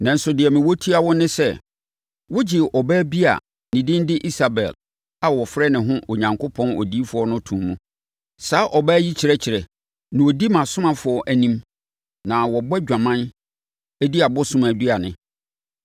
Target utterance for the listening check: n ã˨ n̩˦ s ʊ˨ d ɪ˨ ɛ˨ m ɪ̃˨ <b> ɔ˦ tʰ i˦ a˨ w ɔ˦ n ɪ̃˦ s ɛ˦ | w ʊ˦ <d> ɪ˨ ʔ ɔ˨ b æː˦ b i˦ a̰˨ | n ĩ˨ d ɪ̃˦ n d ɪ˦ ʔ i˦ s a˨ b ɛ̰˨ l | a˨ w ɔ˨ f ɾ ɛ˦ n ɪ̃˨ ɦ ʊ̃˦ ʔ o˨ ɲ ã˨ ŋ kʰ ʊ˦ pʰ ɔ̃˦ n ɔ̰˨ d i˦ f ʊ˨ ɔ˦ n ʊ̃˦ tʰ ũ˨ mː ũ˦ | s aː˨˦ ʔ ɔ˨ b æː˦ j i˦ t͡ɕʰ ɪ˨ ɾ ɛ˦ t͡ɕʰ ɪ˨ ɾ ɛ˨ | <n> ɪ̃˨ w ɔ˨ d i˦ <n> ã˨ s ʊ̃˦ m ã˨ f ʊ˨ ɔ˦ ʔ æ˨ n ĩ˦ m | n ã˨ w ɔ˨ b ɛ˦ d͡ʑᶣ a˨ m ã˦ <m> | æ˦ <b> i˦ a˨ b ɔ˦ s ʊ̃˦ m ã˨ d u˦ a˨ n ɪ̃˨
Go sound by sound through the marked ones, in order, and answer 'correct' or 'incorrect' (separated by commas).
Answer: incorrect, incorrect, correct, incorrect, incorrect, incorrect